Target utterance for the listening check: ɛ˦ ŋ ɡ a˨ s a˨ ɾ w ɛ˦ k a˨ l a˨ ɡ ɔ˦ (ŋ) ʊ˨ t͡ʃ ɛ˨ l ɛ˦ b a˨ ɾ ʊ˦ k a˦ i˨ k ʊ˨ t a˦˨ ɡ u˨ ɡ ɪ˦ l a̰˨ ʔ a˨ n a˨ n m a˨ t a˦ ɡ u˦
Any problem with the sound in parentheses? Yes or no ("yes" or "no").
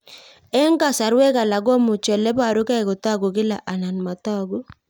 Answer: yes